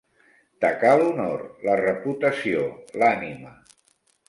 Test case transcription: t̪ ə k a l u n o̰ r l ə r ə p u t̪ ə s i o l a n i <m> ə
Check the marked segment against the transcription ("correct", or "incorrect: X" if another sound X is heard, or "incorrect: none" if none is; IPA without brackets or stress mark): correct